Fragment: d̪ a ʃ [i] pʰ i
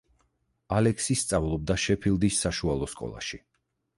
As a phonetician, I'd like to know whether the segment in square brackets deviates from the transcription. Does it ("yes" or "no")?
yes